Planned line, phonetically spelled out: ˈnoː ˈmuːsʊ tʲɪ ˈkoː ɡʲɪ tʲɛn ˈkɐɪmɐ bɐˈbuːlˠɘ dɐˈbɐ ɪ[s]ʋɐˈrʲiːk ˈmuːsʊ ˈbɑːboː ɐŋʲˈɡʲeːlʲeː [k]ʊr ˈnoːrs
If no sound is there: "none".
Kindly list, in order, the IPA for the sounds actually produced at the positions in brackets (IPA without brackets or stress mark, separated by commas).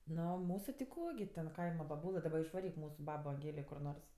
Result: ʃ, k